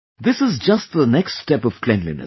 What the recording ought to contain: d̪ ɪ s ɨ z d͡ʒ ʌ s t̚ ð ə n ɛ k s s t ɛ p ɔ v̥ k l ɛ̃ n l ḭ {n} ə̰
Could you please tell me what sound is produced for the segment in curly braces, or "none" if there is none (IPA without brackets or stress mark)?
n